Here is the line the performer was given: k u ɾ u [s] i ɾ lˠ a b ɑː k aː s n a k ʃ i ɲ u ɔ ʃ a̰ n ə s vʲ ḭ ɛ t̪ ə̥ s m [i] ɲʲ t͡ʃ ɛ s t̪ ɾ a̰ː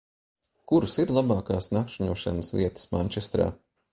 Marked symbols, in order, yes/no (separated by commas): yes, no